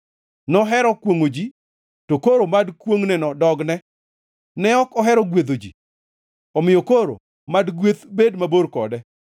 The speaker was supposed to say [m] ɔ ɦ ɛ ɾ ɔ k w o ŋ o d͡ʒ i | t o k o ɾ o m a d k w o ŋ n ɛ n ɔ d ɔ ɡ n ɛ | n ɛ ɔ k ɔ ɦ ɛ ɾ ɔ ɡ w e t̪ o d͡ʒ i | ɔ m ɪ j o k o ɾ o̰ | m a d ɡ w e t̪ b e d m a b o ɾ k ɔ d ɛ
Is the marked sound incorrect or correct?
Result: incorrect